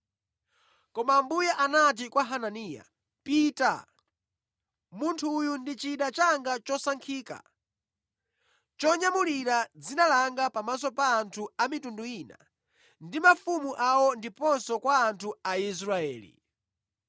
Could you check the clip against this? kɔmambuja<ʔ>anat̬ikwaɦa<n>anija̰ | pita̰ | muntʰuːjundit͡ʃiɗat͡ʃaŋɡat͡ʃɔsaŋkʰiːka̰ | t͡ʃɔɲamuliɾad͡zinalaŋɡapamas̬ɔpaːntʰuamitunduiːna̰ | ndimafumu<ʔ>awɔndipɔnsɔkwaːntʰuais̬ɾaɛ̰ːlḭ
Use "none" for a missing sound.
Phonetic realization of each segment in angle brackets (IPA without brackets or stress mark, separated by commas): ʔ, n, ʔ